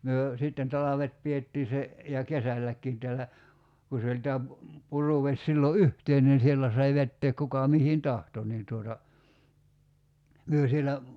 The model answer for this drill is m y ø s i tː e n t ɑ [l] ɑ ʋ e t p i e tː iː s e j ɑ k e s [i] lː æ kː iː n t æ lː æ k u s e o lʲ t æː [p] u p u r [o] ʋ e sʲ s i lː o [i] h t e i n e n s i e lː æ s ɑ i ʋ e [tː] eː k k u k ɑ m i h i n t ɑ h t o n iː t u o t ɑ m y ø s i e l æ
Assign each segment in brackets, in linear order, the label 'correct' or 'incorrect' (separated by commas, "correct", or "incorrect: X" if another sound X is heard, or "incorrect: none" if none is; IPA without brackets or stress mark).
correct, incorrect: æ, correct, incorrect: u, incorrect: y, correct